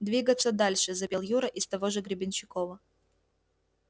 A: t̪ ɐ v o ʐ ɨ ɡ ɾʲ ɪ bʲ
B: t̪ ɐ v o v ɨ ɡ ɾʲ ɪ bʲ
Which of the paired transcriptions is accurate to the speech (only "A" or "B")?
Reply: A